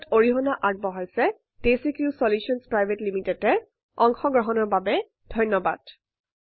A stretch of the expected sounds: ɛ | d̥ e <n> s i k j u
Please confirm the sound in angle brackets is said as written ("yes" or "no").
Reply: no